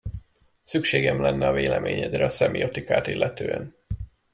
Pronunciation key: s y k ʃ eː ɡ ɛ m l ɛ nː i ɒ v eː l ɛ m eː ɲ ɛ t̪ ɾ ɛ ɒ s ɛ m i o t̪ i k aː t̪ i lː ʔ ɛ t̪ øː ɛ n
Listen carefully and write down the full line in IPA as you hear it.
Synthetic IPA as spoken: s y k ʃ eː ɡ ɛ m l ɛ nː ɛ ɒ v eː l ɛ m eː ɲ ɛ d̪ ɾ ɛ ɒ s ɛ m i o t̪ i k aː t̪ i lː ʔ ɛ t̪ øː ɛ n